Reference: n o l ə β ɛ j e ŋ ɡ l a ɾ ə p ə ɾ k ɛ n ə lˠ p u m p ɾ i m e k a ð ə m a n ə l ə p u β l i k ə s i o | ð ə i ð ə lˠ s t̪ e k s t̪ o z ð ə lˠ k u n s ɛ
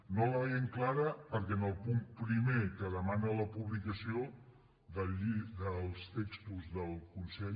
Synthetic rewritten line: n o l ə β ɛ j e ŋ k l a ɾ ə p ə ɾ k ɛ n ə lˠ p u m p ɾ i m e k ə ð ə m a n ə l ə p u β l i k ə s i o | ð ə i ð ə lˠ s t̪ e k s t̪ u z ð ə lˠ k u n s ɛ